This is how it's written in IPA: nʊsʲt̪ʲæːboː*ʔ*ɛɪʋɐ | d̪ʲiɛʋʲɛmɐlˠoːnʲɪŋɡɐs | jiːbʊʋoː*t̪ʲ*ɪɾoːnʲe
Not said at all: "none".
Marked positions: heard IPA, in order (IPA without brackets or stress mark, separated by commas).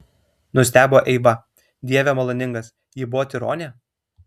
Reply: ʔ, t̪ʲ